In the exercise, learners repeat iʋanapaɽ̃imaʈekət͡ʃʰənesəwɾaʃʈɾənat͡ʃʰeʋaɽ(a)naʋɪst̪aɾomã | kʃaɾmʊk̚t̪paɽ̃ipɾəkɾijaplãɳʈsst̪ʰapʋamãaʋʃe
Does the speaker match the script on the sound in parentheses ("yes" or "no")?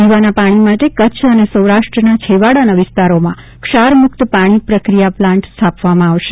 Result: yes